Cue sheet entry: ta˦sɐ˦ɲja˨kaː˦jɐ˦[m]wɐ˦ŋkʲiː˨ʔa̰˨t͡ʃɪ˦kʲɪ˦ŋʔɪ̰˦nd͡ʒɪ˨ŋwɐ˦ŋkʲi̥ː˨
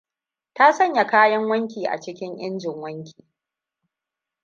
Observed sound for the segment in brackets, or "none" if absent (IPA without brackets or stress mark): ŋ